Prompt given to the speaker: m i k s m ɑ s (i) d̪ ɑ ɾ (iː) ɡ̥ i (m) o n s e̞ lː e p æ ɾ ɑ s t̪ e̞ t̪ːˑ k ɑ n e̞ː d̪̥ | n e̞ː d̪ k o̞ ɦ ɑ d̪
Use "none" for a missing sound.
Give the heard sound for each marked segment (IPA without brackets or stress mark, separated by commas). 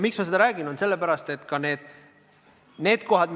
e, æː, n